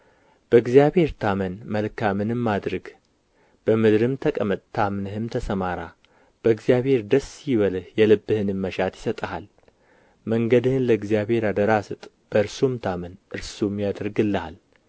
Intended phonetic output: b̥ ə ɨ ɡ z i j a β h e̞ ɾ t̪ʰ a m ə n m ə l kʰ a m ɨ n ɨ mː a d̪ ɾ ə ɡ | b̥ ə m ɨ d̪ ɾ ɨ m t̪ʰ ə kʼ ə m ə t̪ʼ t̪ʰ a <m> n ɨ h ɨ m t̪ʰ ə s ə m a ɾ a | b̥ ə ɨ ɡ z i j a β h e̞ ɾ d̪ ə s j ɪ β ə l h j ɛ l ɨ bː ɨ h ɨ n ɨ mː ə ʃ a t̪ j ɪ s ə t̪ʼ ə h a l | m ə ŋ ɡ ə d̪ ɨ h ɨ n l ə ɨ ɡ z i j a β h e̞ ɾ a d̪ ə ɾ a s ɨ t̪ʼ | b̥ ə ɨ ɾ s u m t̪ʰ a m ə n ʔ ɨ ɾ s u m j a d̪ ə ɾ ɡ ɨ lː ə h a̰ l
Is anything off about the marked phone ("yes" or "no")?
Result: no